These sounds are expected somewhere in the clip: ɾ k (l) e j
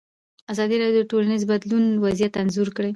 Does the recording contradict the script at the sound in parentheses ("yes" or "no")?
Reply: yes